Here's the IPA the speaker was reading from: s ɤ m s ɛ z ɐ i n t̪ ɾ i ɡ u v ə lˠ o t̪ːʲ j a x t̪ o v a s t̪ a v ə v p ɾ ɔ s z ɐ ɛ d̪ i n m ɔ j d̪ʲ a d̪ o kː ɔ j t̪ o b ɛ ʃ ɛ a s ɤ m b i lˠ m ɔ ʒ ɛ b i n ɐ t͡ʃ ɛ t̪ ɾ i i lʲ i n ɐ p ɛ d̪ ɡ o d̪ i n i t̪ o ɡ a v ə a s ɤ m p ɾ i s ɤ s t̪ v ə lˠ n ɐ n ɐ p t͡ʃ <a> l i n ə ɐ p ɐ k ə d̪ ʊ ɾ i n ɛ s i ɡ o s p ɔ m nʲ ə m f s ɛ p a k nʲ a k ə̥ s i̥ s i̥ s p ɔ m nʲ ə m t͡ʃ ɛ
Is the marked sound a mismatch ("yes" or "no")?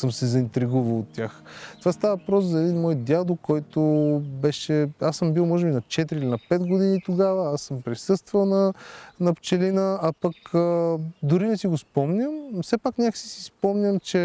yes